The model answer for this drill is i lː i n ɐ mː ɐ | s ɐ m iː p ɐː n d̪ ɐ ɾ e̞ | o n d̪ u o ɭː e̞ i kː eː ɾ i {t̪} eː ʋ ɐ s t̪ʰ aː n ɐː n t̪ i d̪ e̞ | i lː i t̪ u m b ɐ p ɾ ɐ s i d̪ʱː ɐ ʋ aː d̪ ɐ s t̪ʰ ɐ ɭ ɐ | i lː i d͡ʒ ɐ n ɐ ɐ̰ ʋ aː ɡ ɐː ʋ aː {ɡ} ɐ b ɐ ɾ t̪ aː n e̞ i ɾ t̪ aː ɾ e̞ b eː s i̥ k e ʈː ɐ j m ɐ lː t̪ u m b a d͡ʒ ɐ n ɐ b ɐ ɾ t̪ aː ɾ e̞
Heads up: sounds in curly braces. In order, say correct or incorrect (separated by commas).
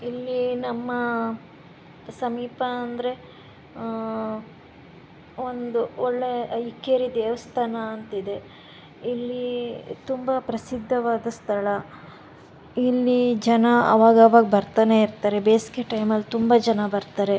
incorrect, correct